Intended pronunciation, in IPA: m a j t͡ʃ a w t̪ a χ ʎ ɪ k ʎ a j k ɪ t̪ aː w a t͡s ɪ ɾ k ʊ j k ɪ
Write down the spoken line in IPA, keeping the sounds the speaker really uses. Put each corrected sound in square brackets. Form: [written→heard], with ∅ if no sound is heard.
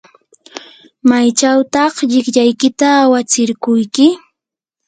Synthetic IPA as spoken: m a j t͡ʃ a w t̪ [a→ɑ] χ ʎ ɪ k ʎ a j k ɪ t̪ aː w a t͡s ɪ ɾ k ʊ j k ɪ